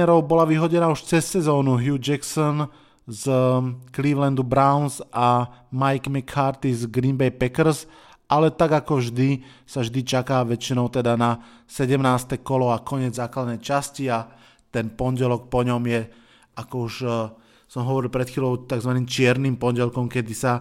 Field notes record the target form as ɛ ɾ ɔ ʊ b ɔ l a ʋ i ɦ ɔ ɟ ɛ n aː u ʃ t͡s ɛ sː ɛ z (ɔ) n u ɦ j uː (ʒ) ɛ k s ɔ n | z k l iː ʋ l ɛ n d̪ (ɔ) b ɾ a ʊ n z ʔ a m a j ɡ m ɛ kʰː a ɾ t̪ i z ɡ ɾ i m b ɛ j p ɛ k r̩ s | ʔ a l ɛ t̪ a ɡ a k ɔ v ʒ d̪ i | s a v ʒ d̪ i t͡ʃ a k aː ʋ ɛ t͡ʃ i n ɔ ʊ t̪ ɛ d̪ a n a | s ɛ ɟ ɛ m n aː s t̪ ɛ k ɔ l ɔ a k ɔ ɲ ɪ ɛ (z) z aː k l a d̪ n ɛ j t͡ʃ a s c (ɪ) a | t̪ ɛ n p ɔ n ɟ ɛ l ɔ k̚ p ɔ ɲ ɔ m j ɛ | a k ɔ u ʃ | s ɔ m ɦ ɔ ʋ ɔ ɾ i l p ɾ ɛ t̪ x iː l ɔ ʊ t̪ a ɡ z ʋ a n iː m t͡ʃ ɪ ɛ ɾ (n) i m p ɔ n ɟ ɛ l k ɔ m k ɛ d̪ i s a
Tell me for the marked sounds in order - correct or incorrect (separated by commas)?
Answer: incorrect, incorrect, incorrect, incorrect, incorrect, correct